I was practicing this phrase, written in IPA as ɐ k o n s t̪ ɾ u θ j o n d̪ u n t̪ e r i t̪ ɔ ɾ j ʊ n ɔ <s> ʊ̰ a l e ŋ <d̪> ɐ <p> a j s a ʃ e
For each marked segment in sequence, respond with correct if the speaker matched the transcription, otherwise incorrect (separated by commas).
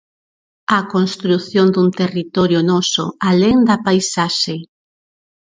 correct, correct, correct